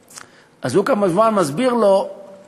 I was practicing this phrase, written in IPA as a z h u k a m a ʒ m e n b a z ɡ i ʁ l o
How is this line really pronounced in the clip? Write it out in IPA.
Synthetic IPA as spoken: a z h u k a m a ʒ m a n m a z b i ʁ l o